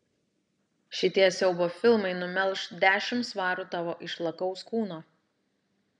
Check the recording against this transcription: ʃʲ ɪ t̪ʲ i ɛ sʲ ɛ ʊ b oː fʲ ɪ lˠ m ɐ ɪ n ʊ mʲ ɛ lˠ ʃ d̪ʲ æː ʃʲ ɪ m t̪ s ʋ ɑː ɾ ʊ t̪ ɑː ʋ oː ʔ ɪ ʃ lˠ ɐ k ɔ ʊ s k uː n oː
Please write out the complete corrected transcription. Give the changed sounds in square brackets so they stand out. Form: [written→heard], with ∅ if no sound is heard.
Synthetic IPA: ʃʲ ɪ t̪ʲ i ɛ sʲ ɛ ʊ b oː fʲ ɪ lˠ m ɐ ɪ n ʊ mʲ ɛ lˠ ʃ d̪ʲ æː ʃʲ ɪ m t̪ s ʋ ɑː ɾ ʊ t̪ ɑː ʋ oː ʔ ɪ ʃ lˠ ɐ k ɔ ʊ s k uː n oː